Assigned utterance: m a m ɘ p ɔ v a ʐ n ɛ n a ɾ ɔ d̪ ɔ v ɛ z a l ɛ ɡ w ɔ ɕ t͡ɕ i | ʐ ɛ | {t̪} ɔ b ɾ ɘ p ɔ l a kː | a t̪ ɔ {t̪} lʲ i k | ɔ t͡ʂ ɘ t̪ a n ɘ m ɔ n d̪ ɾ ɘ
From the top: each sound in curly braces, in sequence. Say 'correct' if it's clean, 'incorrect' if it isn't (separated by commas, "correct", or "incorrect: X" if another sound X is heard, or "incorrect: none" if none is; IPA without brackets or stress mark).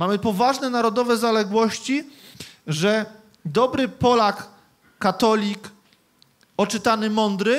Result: incorrect: d̪, incorrect: none